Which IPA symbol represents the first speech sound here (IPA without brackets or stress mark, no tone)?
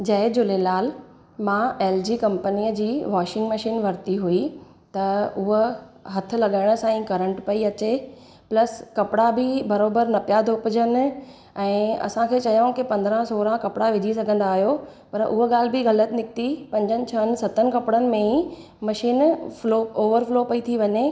d͡ʑ